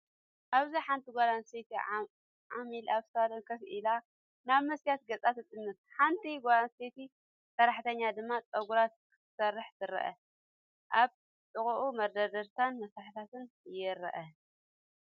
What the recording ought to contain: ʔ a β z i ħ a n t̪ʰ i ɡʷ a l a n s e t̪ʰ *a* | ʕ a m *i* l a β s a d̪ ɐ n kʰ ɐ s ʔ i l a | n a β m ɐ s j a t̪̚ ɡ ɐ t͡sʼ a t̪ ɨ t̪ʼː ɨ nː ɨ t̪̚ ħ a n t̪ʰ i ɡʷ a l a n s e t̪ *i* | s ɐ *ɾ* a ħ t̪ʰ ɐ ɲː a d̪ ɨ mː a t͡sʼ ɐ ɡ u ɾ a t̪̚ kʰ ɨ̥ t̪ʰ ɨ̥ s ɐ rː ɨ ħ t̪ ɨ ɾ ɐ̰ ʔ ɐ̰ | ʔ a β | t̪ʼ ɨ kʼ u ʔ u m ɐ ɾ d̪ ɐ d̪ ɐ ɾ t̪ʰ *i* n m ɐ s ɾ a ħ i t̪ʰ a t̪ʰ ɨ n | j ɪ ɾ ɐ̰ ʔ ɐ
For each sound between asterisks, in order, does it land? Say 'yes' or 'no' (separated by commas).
no, yes, yes, yes, no